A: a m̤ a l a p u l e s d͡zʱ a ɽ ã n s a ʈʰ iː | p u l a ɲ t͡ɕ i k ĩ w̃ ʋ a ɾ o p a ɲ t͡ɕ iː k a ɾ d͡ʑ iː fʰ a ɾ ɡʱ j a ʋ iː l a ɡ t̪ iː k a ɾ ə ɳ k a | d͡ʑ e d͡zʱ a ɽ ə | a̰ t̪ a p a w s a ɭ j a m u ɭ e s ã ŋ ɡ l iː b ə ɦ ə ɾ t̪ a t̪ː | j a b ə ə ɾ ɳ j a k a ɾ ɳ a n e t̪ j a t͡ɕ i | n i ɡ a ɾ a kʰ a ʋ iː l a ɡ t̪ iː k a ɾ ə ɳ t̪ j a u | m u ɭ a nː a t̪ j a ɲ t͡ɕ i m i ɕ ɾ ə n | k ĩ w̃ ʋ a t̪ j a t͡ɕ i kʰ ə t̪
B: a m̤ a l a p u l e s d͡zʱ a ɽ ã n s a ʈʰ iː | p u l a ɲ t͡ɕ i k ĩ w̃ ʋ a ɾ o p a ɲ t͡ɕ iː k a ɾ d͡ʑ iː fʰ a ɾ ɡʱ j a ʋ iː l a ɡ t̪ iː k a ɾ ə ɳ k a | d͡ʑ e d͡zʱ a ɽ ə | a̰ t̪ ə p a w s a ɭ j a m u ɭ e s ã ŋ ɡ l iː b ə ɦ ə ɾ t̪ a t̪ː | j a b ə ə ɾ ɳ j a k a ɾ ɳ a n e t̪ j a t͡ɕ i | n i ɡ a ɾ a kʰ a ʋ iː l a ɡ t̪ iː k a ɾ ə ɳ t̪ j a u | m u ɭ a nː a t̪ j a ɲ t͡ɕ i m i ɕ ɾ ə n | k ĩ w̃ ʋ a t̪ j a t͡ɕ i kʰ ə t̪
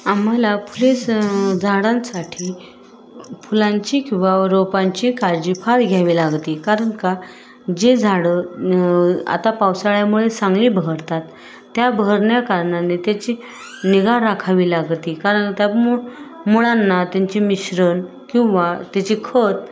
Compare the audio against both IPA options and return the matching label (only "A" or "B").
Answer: A